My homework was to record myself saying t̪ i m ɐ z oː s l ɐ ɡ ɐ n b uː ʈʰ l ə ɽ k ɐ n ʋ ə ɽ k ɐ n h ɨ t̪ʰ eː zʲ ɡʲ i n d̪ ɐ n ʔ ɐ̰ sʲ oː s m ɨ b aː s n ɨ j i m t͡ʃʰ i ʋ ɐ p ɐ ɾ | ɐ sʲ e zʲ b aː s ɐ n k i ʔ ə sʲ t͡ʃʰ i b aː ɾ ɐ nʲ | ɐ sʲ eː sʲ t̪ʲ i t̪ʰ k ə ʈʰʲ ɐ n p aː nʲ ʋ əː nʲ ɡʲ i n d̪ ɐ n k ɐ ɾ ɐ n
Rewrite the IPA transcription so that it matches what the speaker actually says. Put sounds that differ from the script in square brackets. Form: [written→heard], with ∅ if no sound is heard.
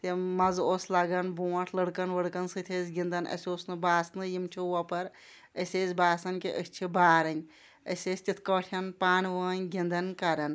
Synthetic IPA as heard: t̪ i m ɐ z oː s l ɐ ɡ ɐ n b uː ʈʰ l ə ɽ k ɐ n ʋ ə ɽ k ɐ n [h→s] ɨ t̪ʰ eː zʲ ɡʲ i n d̪ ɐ n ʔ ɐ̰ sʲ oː s [m→n] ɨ b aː s n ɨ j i m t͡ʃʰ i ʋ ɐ p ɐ ɾ | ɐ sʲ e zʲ b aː s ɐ n k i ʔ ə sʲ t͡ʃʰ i b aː ɾ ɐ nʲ | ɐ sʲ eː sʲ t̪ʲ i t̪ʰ k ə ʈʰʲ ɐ n p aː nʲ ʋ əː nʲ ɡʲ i n d̪ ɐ n k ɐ ɾ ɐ n